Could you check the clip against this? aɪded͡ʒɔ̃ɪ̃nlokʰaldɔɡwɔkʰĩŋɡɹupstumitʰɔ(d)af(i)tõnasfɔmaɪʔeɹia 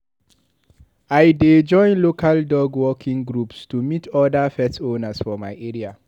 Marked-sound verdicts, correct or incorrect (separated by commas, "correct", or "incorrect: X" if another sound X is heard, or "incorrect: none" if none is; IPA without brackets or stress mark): correct, incorrect: ɛ